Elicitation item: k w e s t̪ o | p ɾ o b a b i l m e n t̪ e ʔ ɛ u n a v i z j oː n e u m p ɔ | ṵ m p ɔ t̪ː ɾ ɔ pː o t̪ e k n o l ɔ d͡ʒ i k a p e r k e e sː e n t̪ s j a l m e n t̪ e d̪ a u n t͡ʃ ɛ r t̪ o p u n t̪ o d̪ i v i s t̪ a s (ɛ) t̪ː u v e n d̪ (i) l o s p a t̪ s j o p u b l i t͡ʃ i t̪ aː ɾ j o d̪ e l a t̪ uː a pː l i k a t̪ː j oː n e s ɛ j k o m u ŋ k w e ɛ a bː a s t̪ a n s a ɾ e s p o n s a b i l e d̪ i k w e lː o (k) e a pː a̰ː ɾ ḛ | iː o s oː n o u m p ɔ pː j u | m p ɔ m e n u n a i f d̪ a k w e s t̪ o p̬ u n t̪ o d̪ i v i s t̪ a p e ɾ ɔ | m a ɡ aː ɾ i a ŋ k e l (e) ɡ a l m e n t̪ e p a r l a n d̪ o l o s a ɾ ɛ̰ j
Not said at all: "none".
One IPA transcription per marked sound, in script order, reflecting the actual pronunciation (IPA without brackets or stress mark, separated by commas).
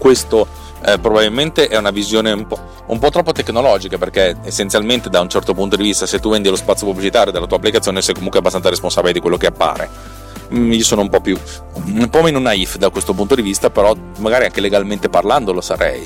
e, i, k, e